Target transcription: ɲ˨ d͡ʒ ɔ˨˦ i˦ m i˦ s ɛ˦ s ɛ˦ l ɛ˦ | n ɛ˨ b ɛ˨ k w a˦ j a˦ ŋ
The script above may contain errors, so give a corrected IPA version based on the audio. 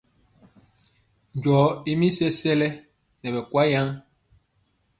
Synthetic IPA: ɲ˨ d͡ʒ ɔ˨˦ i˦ m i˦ s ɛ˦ s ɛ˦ l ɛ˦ | n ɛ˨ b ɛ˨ k w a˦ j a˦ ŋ